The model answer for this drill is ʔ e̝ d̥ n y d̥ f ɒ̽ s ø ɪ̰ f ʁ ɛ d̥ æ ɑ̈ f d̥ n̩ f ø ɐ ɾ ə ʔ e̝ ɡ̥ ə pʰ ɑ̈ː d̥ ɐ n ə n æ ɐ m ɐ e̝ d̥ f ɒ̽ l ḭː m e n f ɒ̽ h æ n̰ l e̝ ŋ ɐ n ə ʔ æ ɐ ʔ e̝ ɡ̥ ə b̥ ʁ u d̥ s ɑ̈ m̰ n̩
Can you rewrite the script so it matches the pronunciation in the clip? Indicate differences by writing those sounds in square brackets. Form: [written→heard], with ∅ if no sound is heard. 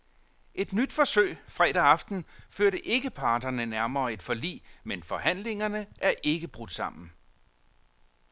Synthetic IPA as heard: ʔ e̝ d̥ n y d̥ f ɒ̽ s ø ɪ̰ f ʁ ɛ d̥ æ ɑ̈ f d̥ n̩ f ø ɐ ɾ ə ʔ e̝ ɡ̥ ə pʰ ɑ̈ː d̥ ɐ n ə n æ ɐ m [ɐ→ɐː] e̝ d̥ f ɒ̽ l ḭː m e n f ɒ̽ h æ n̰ l e̝ ŋ ɐ n ə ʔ æ ɐ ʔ e̝ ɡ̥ ə b̥ ʁ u d̥ s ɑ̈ m̰ n̩

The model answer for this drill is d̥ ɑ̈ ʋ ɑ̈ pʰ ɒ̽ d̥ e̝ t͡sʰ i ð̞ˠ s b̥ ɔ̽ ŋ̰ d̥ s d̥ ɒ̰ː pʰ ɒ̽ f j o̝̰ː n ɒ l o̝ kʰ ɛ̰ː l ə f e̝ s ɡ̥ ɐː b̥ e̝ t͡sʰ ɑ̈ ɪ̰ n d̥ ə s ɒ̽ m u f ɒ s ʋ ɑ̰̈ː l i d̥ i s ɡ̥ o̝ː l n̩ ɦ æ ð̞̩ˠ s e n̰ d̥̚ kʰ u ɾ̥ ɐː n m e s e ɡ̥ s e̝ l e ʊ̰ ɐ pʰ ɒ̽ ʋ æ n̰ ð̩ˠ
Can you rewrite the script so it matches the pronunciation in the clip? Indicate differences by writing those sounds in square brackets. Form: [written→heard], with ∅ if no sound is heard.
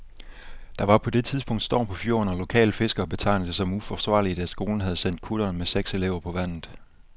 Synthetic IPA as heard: d̥ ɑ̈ ʋ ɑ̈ pʰ ɒ̽ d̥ e̝ t͡sʰ i ð̞ˠ s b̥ ɔ̽ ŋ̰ d̥ s d̥ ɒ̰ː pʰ ɒ̽ f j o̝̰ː n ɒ l o̝ kʰ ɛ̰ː l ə f e̝ s ɡ̥ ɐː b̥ e̝ t͡sʰ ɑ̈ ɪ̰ n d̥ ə s ɒ̽ m u f ɒ s ʋ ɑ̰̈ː l i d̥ [i→æ] s ɡ̥ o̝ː l n̩ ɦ æ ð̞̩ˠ s e n̰ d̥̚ kʰ u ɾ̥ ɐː n m e s e ɡ̥ s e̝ l e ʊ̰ ɐ pʰ ɒ̽ ʋ æ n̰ ð̩ˠ

